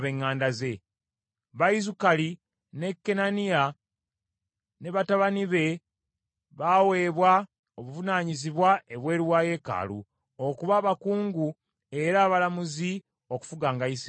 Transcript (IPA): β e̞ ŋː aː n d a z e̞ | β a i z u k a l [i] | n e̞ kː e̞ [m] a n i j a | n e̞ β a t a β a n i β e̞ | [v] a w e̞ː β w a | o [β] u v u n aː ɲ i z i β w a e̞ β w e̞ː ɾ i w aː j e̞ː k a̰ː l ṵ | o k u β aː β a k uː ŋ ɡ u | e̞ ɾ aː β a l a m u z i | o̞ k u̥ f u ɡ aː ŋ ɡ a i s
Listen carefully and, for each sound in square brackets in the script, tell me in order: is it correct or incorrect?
correct, incorrect, incorrect, correct

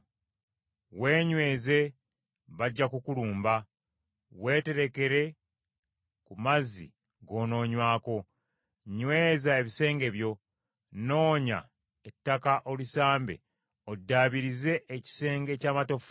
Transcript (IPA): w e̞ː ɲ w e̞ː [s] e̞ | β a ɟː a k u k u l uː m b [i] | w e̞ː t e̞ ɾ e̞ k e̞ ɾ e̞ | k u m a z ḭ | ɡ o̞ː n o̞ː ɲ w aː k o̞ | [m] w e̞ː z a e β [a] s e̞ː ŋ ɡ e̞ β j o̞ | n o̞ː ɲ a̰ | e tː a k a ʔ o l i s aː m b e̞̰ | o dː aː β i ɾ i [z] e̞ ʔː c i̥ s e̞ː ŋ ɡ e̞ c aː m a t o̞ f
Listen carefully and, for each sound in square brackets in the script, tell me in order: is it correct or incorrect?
incorrect, incorrect, incorrect, incorrect, correct

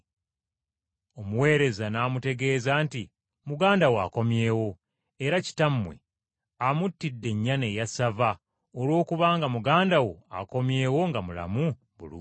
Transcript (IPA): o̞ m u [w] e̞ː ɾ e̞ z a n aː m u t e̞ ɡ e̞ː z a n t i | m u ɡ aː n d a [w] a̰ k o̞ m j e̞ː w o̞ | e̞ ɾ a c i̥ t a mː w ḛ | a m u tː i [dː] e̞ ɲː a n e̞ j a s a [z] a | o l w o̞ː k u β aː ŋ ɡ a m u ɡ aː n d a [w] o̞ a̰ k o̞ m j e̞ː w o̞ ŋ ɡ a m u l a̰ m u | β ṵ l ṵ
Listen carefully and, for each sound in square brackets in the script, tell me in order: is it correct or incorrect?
correct, correct, correct, incorrect, correct

